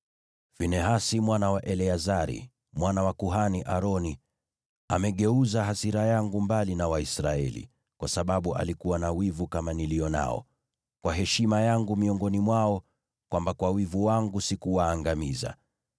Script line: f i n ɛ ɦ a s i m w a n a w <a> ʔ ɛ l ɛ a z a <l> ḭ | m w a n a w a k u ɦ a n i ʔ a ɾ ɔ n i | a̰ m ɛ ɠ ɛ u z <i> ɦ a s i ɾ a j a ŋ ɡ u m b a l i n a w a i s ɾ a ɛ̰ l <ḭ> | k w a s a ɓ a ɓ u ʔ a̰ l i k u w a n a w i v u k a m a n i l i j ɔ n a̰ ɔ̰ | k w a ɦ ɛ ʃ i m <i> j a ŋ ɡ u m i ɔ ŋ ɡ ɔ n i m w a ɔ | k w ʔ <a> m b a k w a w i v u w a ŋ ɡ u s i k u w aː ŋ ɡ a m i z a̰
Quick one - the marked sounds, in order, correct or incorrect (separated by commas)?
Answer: correct, incorrect, incorrect, correct, incorrect, correct